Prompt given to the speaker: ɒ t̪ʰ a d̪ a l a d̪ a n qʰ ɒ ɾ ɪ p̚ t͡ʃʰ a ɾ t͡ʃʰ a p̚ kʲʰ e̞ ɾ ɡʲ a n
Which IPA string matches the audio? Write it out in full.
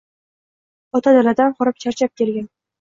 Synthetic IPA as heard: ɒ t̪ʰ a d̪ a l a d̪ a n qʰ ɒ ɾ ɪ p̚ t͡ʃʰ a ɾ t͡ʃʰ a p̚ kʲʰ e̞ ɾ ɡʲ a n